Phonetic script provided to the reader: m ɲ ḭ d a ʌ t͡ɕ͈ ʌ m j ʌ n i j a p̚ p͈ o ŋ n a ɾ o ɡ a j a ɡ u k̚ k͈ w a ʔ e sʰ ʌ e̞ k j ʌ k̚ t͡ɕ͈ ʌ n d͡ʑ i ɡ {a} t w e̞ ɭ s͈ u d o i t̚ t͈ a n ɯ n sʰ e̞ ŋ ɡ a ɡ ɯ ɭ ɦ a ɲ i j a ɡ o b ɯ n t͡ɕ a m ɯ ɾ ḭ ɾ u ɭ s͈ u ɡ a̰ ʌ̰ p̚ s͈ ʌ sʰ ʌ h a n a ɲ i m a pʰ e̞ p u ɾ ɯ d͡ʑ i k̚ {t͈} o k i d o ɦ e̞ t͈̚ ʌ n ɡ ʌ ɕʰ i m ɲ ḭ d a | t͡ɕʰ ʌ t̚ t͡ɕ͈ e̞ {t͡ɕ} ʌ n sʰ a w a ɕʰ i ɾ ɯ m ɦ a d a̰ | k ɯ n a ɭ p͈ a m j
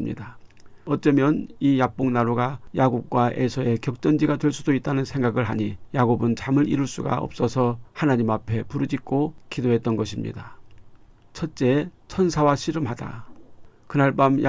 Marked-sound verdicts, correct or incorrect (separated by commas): correct, incorrect, incorrect